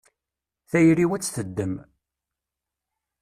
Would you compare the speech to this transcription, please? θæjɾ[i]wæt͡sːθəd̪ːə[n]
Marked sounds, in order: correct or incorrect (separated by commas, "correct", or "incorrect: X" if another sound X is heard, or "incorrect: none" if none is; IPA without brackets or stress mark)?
correct, incorrect: m